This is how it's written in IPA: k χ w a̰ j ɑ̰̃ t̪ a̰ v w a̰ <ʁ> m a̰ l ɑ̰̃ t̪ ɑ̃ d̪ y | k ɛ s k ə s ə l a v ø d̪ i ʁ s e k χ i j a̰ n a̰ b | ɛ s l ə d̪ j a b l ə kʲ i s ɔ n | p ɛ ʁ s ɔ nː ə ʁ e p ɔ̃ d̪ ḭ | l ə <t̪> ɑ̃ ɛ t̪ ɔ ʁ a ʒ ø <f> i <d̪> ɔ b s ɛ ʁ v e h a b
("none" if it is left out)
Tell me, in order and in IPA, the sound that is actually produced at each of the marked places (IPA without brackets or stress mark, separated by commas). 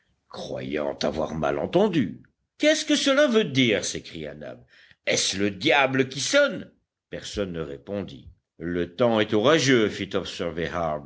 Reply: ʁ, t̪, f, t̪